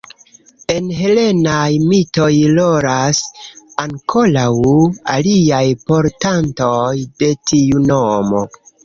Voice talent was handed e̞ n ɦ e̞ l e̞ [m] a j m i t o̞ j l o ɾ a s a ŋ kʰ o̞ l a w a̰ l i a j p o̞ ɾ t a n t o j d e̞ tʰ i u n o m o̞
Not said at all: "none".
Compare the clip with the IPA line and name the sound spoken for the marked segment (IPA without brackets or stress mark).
n